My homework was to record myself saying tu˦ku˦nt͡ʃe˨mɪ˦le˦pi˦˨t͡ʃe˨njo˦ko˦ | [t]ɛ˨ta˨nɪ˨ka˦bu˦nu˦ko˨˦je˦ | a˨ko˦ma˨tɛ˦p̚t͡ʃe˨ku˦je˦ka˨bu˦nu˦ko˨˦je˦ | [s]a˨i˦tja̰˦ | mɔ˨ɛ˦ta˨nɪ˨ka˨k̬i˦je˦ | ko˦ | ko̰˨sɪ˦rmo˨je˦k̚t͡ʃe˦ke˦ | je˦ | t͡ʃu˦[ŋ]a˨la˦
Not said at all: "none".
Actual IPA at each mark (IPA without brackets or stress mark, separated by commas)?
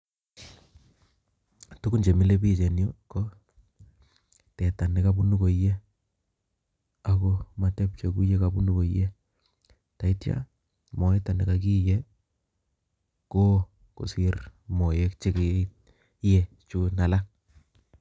t, t, n